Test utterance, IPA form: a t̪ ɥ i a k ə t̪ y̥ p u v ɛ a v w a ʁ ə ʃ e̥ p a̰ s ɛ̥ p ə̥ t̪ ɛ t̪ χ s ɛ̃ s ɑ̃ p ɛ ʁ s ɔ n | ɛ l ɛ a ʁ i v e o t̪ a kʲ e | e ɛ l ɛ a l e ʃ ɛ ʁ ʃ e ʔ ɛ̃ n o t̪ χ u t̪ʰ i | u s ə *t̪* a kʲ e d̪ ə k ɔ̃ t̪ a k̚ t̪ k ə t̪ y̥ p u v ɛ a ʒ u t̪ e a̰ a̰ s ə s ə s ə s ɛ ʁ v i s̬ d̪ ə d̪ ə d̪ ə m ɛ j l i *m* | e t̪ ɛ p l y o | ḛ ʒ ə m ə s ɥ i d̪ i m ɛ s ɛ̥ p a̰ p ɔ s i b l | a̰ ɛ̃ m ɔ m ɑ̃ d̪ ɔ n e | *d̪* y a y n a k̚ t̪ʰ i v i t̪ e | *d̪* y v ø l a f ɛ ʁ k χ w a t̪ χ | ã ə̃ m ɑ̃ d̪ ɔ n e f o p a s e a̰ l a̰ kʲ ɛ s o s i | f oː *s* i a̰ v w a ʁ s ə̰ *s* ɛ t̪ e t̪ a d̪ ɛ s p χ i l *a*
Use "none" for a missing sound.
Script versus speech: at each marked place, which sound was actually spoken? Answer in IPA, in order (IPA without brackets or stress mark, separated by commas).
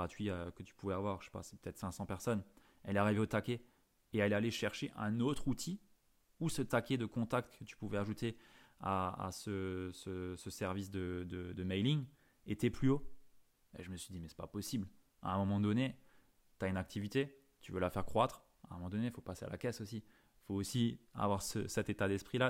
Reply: t̪, ŋ, t̪, t̪, s, s, a